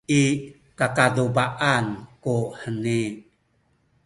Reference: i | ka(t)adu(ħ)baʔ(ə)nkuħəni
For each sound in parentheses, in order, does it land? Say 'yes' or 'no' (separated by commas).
no, no, no